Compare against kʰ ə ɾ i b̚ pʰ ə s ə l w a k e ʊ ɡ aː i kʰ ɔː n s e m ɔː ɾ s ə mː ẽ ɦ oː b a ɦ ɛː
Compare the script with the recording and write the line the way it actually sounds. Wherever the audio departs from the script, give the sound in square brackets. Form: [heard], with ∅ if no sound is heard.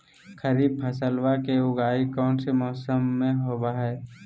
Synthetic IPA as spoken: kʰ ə ɾ [iː] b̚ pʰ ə s ə l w a k e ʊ ɡ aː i [k] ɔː n s e m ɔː [∅] s ə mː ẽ ɦ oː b a ɦ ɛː